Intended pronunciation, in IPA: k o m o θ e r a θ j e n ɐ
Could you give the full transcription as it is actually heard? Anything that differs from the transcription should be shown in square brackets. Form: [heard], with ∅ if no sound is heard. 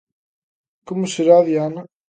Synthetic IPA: k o m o [s] e [ɾ] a [ð] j [a] n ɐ